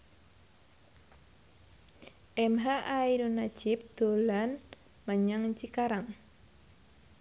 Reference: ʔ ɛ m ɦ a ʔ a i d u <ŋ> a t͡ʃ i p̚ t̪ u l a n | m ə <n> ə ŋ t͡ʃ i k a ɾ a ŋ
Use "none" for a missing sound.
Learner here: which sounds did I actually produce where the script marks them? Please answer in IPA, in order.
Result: n, ɲ

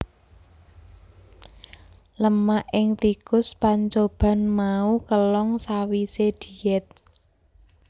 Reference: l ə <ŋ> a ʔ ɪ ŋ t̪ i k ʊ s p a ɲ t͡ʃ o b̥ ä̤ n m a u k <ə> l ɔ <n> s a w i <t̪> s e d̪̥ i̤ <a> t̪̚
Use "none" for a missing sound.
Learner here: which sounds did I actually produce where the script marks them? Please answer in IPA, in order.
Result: m, ə, ŋ, none, ɛ

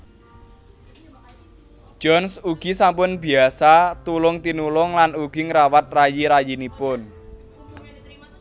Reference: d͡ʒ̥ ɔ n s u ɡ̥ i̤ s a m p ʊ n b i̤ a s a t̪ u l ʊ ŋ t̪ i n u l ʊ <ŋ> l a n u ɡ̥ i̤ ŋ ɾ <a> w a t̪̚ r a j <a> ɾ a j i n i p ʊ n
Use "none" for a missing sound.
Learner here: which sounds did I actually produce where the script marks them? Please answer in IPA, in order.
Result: ŋ, a, i

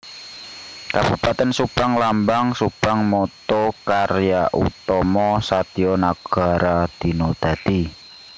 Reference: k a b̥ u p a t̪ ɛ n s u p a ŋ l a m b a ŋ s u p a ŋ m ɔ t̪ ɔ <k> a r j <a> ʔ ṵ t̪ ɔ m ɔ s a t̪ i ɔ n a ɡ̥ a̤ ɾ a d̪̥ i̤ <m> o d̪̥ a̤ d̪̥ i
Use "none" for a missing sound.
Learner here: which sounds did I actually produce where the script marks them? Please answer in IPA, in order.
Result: k, a, n

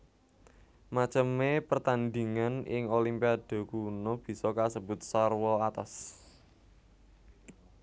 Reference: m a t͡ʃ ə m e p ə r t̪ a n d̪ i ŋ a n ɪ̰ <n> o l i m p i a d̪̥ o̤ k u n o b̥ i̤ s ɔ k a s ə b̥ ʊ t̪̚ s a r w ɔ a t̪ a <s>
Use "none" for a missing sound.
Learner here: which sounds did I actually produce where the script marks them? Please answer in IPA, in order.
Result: ŋ, s

